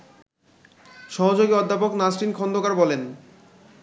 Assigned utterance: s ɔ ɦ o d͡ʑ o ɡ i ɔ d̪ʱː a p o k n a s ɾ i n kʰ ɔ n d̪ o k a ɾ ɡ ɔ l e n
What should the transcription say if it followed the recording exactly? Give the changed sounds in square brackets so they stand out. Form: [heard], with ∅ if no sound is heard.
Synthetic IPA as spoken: [ʃ] ɔ ɦ o d͡ʑ o ɡ i ɔ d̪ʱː a p o k n a s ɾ i n kʰ ɔ n d̪ o k a ɾ [b] ɔ l e n